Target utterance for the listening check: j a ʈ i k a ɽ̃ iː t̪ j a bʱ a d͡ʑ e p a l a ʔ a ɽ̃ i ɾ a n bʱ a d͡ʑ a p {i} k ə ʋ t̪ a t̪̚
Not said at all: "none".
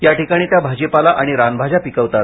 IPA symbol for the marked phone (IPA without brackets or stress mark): i